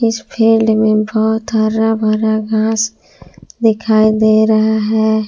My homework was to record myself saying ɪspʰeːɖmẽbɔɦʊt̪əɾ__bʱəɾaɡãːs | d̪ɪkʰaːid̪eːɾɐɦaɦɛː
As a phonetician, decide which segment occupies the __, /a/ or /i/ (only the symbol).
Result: a